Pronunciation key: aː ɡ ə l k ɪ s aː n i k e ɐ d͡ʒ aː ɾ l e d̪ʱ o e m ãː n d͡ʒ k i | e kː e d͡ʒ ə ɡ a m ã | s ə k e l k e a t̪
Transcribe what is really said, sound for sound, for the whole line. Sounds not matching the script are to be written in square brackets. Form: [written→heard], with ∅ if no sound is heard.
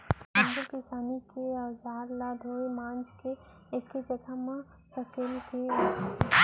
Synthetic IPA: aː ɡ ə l k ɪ s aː n i k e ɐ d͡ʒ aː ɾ l [e→a] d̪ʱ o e m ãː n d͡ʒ k [i→e] | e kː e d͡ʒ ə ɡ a m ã | s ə k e l k e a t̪